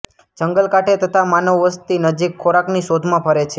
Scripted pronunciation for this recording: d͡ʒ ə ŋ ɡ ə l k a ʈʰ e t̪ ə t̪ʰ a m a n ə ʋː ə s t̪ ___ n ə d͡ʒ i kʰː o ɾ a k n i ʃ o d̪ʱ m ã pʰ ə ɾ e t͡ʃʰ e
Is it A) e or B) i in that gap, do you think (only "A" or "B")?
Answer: B